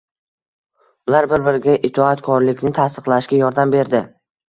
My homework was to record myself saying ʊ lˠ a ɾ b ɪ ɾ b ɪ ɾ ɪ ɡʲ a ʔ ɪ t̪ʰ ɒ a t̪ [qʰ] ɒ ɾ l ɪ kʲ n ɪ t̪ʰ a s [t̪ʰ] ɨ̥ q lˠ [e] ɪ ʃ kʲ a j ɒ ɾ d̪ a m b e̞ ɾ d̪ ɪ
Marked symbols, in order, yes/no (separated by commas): no, no, no